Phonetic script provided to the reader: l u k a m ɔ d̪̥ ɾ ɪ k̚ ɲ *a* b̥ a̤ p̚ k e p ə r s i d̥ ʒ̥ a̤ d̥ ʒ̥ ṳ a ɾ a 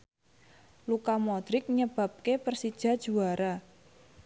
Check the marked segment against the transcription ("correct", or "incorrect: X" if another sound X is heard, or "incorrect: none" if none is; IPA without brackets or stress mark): incorrect: ə